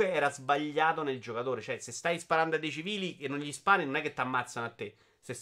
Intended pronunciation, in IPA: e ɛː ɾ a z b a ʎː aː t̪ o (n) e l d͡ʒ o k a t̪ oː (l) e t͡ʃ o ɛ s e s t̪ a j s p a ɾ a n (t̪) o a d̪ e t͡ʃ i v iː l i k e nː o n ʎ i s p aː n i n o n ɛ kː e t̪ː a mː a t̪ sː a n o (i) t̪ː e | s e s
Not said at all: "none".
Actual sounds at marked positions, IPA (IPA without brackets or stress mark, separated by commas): n, ɾ, d̪, a